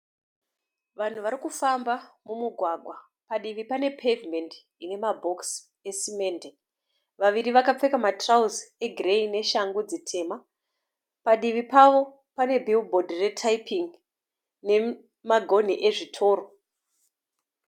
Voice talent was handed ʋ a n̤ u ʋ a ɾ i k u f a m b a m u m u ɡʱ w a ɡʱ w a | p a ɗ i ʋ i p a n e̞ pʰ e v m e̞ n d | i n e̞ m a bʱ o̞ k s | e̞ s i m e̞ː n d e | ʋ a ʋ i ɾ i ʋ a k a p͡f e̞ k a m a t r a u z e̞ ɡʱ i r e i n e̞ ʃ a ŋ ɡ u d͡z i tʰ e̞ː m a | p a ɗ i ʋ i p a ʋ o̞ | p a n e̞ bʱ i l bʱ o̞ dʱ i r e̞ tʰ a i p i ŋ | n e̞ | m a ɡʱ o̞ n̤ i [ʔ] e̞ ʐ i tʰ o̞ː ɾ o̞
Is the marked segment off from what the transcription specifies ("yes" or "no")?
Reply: no